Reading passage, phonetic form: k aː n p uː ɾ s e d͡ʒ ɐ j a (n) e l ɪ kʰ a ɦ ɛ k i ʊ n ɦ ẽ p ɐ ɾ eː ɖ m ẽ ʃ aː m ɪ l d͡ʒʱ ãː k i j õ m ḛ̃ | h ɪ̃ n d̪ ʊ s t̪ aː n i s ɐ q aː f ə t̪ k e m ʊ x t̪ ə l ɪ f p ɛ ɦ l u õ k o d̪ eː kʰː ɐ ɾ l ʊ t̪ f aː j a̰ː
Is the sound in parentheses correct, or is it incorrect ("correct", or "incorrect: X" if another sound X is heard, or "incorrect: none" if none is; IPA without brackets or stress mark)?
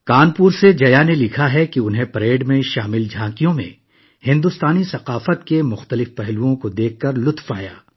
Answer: correct